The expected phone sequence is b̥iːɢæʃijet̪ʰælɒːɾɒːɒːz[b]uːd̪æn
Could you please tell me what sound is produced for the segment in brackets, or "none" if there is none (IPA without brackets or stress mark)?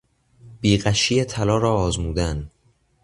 m